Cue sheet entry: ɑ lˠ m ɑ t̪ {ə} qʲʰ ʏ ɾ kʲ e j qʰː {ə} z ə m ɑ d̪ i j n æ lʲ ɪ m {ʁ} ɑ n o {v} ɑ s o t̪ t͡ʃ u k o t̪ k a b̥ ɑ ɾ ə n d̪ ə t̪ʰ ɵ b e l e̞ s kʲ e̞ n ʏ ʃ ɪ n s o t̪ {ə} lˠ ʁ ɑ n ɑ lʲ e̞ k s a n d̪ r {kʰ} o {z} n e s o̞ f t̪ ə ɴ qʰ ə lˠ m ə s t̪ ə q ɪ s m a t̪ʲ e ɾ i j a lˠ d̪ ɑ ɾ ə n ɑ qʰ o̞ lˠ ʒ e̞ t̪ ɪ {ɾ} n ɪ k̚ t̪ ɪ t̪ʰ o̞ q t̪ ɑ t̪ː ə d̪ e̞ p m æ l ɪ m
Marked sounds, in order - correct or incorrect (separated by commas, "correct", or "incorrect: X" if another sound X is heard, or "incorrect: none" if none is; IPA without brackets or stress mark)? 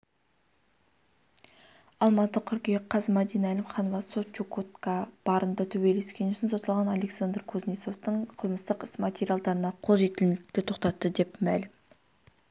correct, incorrect: ɑ, incorrect: χ, correct, incorrect: ɑ, correct, correct, incorrect: l